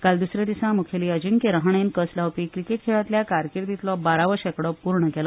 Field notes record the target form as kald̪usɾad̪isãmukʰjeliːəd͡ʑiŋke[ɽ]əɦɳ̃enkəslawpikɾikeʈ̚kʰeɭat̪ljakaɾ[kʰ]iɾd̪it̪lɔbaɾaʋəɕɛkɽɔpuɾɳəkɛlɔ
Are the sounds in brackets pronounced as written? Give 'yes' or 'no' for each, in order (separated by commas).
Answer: no, no